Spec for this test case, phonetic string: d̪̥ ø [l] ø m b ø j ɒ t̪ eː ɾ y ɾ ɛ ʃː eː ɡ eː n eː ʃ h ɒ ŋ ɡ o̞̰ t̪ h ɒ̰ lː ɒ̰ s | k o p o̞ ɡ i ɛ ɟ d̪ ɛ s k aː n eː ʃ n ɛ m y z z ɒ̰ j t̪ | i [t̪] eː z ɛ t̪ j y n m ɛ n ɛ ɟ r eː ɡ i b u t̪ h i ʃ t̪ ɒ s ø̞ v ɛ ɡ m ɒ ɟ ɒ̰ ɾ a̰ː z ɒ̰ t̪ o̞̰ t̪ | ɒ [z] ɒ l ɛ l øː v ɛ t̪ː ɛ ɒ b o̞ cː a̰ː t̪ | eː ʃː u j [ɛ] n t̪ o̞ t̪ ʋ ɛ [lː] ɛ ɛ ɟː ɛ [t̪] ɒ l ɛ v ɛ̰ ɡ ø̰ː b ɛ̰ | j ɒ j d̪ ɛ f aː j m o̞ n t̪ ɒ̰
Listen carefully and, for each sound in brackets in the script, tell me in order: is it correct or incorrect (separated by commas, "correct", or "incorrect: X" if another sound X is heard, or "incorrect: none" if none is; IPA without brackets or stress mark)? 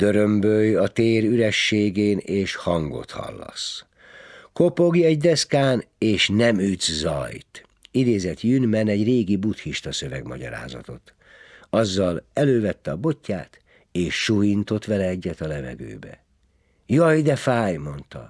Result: incorrect: ɾ, incorrect: d̪, incorrect: zː, incorrect: i, incorrect: l, correct